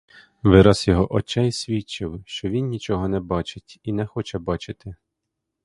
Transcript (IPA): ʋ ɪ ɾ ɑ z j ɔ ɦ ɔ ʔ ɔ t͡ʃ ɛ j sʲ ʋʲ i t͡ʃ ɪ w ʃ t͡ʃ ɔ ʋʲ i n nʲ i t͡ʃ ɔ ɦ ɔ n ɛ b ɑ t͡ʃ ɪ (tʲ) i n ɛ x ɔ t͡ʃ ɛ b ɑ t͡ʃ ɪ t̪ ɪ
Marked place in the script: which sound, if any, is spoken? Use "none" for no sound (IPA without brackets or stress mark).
tʲ